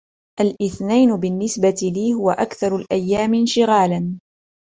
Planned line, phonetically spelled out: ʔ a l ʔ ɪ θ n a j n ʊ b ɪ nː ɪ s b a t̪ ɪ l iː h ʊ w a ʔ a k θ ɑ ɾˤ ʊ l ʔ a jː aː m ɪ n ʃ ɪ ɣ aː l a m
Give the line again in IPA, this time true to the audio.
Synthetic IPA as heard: ʔ a l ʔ ɪ θ n a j n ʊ b ɪ nː ɪ s b a t̪ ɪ l iː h ʊ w a ʔ a k θ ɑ ɾˤ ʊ l ʔ a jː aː m ɪ n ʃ ɪ ɣ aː l a n

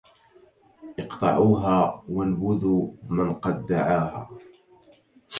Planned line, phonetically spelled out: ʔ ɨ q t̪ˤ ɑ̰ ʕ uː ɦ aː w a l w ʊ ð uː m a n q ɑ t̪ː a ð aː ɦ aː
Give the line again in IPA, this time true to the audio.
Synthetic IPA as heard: ʔ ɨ q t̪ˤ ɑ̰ ʕ uː ɦ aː w a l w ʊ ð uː m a n q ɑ d̪ː a ʕ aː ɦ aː

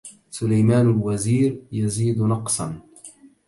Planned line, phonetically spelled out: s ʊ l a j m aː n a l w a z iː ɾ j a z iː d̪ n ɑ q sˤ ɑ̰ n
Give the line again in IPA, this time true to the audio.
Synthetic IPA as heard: s ʊ l a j m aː n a l w a z iː ɾ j a z iː d̪ n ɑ q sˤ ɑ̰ n

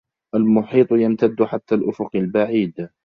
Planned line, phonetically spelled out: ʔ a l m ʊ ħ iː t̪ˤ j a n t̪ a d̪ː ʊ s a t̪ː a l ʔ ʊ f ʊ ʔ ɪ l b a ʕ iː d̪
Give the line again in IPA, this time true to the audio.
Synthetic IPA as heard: ʔ a l m ʊ ħ iː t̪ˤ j a m t̪ a d̪ː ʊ ħ a t̪ː a l ʔ ʊ f ʊ q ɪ l b a ʕ iː d̪

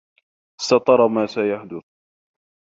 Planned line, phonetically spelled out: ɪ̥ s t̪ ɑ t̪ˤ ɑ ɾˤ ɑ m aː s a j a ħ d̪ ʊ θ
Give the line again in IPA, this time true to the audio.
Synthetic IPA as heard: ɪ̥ s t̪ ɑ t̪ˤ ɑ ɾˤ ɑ m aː s a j a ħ d̪ ʊ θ

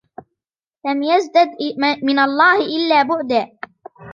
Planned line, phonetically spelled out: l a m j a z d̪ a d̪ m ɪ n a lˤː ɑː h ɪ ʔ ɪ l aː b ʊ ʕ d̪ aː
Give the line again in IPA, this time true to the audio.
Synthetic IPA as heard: l a m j a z d̪ a d̪ m ɪ n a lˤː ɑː h ɪ ʔ ɪ lː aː b ʊ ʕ d̪ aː

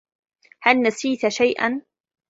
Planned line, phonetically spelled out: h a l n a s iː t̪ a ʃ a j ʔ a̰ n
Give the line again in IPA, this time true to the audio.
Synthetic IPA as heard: h a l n a s iː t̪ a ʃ a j ʔ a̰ n

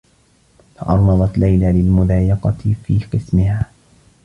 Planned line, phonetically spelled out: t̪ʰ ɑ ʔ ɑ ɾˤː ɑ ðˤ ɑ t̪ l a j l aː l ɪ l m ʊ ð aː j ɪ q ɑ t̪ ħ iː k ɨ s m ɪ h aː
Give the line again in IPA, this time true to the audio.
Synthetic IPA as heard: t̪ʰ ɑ ʔ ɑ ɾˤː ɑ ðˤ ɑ t̪ l a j l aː l ɪ l m ʊ ð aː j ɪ q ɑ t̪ f iː q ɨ s m ɪ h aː

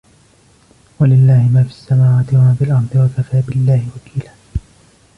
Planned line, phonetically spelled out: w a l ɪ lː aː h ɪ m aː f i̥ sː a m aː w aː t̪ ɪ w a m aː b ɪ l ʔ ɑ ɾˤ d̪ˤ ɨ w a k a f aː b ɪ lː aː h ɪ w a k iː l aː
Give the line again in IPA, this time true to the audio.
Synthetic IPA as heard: w a l ɪ lː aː h ɪ m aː f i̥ sː a m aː w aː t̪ ɪ w a m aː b ɪ l ʔ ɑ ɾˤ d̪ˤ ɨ w a k a f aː b ɪ lː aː h ɪ w a k iː l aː

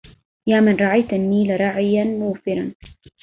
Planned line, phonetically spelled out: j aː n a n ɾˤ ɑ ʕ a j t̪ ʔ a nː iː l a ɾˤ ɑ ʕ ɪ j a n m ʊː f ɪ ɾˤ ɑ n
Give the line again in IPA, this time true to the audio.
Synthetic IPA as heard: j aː m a n ɾˤ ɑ ʕ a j t̪ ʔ a nː iː l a ɾˤ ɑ ʕ ɪ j a n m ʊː f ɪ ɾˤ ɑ n

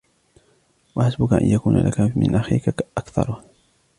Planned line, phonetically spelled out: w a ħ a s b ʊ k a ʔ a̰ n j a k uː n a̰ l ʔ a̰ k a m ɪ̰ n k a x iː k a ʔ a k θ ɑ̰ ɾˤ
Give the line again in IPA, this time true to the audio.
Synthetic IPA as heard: w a ħ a s b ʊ k a ʔ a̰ n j a k uː n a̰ l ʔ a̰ k a m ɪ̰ n ʔ a x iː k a ʔ a k θ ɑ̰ ɾˤ

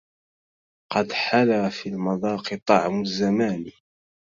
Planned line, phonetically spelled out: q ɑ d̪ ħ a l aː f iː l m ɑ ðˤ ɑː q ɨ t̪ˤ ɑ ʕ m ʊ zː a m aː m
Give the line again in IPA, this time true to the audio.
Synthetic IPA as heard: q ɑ d̪ ħ a l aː f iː l m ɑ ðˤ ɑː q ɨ t̪ˤ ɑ ʕ m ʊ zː a m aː n

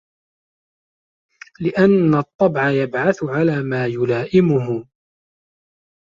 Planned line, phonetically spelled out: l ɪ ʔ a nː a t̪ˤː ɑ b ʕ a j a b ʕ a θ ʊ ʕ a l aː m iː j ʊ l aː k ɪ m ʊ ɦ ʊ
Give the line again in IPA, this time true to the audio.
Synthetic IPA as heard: l ɪ ʔ a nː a t̪ˤː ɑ b ʕ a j a b ʕ a θ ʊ ʕ a l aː m aː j ʊ l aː ʔ ɪ m ʊ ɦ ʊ

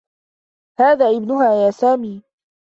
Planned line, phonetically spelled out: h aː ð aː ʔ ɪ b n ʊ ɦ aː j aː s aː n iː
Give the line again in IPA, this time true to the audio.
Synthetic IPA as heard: h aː ð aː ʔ ɪ b n ʊ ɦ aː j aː s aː m iː

